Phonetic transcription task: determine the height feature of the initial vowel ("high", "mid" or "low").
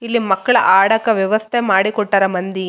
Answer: high